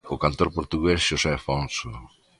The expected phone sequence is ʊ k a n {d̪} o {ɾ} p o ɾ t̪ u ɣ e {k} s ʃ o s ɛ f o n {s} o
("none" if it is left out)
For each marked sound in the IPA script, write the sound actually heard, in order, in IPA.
t̪, ɾ, none, s

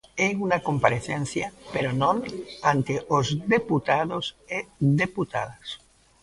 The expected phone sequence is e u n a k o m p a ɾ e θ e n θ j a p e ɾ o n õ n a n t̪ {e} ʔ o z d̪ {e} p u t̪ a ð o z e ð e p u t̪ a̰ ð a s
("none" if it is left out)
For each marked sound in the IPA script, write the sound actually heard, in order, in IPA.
e, e

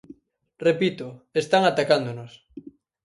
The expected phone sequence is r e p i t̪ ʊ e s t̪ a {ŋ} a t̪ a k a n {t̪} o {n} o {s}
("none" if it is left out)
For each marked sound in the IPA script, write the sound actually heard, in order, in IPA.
ŋ, d̪, n, s

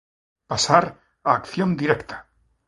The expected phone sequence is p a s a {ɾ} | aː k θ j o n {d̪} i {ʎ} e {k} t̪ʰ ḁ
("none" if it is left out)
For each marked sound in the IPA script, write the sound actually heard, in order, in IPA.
ɾ, d̪, ɾ, k

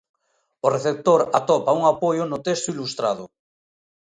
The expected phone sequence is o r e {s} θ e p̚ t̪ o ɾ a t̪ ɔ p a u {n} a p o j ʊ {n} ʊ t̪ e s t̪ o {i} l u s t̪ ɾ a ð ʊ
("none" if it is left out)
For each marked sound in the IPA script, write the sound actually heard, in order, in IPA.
none, ŋ, n, i

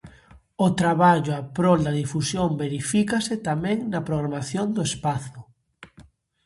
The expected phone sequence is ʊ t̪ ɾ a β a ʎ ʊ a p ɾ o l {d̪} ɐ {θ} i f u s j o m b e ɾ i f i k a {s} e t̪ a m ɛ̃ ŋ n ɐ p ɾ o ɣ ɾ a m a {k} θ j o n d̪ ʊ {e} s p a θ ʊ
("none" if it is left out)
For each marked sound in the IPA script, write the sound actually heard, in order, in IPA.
d̪, ð, s, none, e

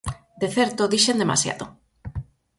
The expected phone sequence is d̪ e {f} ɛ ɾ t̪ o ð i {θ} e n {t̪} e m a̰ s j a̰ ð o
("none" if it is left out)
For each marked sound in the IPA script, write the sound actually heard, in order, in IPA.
θ, ʃ, d̪

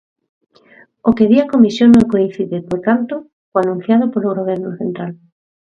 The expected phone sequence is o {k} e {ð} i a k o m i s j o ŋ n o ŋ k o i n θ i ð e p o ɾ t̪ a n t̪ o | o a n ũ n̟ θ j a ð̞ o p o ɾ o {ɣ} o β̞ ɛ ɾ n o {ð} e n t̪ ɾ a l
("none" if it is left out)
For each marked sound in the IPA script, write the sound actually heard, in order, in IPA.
k, ð, ɣ, θ

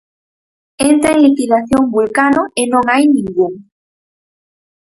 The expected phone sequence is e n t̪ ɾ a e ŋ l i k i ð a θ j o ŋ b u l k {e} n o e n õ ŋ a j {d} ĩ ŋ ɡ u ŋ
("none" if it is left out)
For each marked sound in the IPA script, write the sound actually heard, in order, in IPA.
a, n

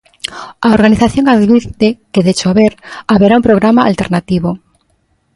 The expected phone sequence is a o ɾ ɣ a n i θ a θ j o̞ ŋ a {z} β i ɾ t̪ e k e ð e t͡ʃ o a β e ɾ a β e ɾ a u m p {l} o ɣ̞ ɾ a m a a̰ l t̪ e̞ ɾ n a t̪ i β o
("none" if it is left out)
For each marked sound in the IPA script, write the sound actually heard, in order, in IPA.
ð, ɾ

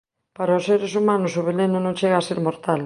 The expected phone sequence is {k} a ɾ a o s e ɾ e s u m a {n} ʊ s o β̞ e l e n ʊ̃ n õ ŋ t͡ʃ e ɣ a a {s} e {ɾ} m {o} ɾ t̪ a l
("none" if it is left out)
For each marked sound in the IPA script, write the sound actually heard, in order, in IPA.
p, n, s, ɾ, o

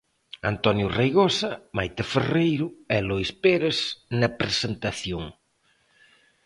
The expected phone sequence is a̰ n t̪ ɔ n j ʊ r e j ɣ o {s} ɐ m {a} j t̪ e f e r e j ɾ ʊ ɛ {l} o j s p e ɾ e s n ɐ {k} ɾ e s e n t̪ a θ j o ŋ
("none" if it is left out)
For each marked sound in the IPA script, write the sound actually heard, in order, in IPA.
s, a, l, p

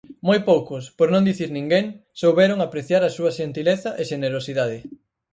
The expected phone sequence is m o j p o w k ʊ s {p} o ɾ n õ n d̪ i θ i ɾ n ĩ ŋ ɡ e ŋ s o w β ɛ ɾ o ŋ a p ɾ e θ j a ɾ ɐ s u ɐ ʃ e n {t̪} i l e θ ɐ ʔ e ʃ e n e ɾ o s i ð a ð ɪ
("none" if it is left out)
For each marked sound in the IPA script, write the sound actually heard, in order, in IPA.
p, t̪

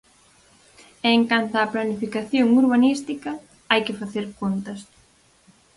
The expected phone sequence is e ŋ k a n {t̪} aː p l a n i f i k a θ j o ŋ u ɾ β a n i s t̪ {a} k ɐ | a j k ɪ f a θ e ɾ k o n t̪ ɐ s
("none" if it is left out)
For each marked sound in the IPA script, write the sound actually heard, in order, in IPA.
t̪, i

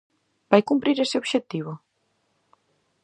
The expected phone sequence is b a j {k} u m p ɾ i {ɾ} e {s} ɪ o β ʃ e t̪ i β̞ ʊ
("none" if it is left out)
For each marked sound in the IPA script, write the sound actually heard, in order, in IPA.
k, ɾ, s

